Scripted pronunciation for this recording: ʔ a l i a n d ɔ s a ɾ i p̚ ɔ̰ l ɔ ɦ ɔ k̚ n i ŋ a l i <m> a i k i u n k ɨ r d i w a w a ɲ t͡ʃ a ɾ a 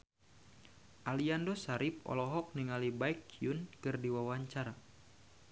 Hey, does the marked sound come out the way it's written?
no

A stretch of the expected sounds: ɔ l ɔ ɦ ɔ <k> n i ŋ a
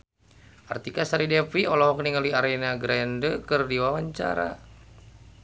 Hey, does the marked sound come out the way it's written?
yes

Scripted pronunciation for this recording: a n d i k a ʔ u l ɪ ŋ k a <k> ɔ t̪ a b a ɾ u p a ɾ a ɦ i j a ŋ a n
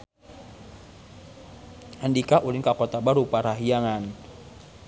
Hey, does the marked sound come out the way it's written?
yes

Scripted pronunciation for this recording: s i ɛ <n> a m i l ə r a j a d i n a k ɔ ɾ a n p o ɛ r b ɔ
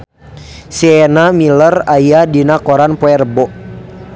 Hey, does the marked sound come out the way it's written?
yes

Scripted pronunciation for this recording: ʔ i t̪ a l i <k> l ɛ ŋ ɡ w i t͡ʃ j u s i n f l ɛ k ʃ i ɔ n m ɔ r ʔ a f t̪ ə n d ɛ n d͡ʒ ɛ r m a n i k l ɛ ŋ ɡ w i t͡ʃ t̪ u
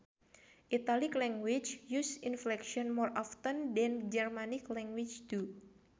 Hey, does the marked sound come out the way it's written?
yes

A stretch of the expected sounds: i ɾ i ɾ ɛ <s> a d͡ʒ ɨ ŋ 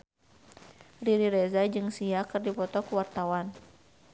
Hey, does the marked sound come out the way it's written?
no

